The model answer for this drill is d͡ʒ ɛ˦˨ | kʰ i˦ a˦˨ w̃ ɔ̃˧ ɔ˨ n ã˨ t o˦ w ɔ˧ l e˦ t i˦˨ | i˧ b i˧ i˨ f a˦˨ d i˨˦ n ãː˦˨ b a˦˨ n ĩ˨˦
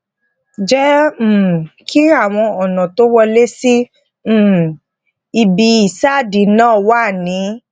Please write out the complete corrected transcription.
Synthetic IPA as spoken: d͡ʒ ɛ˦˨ | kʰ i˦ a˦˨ w̃ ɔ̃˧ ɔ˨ n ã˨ t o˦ w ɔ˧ l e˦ s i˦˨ | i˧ b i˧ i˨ s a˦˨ d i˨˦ n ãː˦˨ w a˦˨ n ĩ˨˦